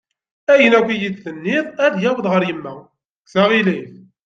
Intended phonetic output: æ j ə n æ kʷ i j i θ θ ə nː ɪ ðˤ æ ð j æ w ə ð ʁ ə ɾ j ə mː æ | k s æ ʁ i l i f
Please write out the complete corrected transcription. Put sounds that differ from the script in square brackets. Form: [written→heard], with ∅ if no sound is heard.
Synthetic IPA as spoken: æ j ə n æ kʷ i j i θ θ ə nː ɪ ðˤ æ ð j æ w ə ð ʁ ə ɾ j ə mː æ | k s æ ʁ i l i [f→θ]